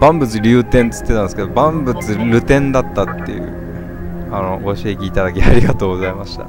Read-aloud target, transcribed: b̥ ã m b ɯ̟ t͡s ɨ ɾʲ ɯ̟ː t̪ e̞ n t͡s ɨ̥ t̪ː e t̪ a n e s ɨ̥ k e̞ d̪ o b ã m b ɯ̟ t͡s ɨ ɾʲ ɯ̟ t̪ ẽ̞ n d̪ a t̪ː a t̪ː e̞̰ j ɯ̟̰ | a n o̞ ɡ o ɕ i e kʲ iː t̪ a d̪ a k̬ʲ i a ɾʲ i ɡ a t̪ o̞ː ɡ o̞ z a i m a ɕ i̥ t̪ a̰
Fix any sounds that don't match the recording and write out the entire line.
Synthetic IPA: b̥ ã m b ɯ̟ t͡s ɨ ɾʲ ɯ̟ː t̪ ẽ̞ n t͡s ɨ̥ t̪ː e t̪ a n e s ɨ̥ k e̞ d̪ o b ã m b ɯ̟ t͡s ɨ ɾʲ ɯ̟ t̪ ẽ̞ n d̪ a t̪ː a t̪ː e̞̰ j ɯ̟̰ | a n o̞ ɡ o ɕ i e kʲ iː t̪ a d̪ a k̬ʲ i a ɾʲ i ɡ a t̪ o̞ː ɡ o̞ z a i m a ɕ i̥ t̪ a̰